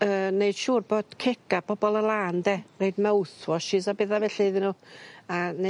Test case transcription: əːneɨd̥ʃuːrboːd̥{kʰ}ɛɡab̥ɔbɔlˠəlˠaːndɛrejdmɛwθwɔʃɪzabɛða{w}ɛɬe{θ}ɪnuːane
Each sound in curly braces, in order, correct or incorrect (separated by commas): correct, incorrect, incorrect